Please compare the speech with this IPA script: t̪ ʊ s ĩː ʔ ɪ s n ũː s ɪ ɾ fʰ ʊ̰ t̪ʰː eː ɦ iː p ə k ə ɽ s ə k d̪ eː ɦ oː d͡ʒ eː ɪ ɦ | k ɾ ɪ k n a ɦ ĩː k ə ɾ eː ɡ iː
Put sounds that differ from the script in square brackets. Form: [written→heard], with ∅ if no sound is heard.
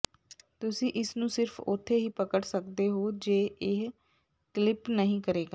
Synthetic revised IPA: t̪ ʊ s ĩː ʔ ɪ s n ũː s ɪ ɾ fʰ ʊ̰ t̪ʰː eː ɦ iː p ə k ə ɽ s ə k d̪ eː ɦ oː d͡ʒ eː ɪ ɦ | k [ɾ→l] ɪ [k→p] n [a→ə] ɦ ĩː k ə ɾ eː ɡ [iː→aː]